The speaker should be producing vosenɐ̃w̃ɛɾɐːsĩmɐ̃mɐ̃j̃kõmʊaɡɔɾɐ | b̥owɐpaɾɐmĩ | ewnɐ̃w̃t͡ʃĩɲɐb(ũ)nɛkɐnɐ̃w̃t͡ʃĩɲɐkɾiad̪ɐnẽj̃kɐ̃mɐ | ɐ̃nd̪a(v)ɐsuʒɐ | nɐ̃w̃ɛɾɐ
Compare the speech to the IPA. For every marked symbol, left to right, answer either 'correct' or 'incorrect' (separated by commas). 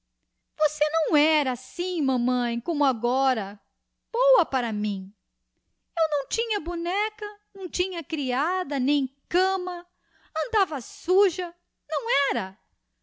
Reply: incorrect, correct